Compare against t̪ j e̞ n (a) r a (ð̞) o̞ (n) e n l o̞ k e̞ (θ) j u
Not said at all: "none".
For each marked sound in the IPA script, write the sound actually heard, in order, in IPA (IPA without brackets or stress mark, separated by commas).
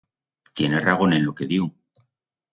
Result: e, ɣ̞, n, ð